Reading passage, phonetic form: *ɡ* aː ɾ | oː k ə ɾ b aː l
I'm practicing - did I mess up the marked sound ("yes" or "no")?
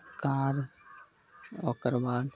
yes